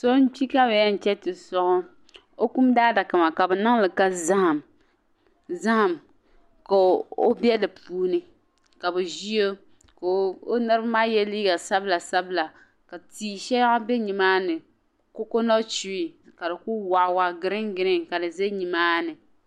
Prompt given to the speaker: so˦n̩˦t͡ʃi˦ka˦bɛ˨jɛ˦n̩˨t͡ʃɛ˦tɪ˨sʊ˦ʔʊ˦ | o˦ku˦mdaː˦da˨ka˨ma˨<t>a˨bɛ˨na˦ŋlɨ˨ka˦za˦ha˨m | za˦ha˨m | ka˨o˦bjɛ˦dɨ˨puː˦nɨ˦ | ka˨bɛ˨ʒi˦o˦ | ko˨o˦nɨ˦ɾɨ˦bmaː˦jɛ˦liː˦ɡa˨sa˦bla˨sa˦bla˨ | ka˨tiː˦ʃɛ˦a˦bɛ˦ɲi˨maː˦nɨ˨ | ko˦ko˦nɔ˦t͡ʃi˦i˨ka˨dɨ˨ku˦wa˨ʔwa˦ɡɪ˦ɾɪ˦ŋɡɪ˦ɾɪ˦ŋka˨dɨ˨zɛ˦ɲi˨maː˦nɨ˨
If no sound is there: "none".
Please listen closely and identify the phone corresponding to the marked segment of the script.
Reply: k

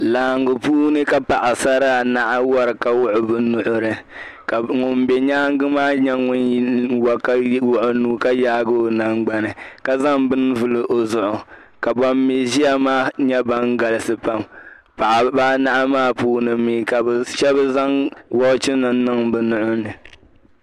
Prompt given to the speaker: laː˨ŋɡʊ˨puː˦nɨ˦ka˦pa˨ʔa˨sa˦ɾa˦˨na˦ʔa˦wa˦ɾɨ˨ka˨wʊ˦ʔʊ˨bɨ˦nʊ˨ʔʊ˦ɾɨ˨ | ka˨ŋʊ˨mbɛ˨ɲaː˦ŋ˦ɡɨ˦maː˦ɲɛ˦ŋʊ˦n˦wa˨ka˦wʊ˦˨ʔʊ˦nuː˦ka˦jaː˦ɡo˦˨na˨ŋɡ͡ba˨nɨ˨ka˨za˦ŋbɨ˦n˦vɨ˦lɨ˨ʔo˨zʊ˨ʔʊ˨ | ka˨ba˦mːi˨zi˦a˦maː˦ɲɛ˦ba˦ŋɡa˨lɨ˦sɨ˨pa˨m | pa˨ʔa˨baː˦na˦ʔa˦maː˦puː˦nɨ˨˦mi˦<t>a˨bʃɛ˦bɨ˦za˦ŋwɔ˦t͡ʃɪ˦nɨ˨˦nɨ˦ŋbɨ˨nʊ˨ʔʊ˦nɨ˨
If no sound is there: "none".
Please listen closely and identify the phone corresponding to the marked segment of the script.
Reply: k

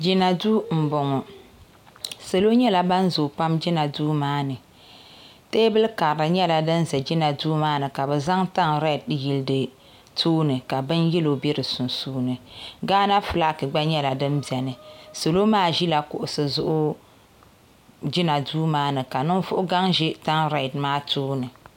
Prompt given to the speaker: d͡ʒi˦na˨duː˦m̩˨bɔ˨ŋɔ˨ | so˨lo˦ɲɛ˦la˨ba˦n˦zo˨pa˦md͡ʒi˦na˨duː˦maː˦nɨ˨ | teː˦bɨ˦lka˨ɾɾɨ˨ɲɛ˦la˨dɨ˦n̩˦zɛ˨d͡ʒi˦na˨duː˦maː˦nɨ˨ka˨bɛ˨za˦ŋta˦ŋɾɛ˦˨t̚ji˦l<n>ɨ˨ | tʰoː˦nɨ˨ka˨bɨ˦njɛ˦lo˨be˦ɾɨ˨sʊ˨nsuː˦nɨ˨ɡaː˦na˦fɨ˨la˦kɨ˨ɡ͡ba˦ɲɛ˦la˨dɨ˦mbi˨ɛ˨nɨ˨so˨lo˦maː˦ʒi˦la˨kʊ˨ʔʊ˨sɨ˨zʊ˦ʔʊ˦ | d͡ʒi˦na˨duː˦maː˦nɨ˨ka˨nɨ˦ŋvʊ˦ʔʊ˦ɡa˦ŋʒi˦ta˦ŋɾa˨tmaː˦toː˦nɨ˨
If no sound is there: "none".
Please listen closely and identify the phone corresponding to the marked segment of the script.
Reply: d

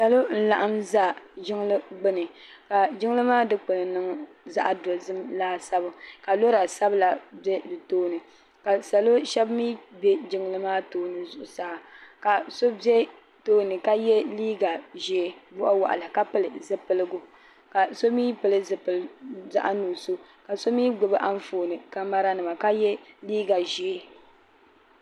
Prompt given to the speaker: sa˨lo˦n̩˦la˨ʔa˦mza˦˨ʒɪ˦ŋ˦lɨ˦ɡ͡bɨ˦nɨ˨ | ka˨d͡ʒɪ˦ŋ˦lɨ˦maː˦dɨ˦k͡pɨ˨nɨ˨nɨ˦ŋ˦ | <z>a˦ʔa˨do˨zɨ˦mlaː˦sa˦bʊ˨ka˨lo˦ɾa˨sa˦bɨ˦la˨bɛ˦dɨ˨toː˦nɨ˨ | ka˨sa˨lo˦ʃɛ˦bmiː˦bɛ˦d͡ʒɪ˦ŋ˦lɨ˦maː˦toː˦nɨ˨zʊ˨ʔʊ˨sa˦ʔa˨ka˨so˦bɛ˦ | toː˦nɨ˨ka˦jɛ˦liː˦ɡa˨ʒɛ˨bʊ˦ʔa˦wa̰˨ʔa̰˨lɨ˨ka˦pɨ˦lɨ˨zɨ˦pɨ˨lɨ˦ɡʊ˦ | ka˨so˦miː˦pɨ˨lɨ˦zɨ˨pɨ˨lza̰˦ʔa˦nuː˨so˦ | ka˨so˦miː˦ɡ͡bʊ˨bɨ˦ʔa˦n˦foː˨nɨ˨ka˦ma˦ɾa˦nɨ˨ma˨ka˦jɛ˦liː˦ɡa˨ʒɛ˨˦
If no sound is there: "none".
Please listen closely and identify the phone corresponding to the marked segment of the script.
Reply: z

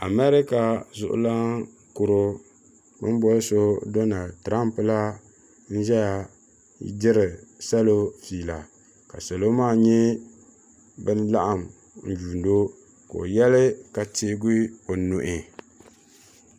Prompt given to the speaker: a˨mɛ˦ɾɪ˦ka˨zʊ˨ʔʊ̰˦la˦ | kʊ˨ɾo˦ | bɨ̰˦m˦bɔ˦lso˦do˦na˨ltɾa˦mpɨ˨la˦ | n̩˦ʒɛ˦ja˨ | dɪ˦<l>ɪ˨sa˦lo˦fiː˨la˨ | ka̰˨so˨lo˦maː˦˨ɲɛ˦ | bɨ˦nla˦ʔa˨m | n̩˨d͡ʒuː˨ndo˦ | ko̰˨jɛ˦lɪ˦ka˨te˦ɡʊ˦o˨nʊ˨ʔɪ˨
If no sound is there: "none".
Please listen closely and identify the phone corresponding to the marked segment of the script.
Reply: ɾ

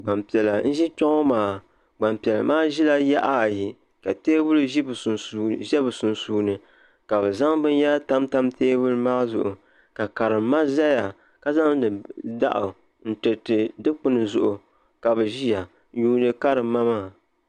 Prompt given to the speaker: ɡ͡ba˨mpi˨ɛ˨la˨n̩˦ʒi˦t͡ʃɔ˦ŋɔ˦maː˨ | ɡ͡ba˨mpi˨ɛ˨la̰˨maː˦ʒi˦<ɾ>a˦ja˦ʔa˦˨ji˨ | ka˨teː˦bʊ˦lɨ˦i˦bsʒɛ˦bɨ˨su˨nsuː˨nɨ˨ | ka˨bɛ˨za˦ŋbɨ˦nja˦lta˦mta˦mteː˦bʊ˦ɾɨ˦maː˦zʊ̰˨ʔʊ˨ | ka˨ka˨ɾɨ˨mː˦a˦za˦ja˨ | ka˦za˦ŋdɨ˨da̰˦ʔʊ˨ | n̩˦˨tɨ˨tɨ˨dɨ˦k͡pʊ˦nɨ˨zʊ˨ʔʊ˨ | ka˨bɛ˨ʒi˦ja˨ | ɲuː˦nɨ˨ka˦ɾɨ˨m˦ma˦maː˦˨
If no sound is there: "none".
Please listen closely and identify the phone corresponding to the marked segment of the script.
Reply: l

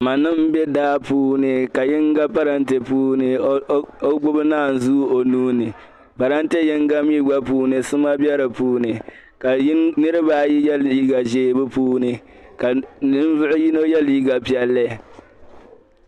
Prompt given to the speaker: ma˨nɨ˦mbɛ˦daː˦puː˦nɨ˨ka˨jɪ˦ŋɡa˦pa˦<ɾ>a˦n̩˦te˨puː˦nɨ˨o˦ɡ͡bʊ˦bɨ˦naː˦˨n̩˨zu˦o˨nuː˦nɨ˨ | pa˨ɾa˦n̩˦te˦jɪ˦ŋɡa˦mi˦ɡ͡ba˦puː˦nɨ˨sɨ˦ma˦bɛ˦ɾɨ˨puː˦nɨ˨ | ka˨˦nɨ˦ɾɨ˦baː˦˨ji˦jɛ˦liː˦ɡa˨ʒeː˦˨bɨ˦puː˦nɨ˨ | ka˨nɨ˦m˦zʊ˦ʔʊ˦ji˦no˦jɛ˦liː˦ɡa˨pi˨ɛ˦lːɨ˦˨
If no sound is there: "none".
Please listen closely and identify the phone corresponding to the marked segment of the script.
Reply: ɾ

